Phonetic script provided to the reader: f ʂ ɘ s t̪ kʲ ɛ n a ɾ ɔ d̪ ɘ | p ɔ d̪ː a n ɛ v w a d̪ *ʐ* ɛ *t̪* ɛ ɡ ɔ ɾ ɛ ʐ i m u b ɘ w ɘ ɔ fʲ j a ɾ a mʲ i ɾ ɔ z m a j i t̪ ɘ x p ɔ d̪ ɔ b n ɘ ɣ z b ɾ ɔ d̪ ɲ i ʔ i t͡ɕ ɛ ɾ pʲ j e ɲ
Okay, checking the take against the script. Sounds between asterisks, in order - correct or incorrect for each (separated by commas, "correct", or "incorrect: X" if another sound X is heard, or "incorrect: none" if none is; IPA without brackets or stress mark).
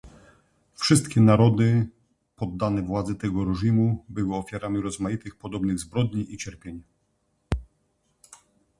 incorrect: z, correct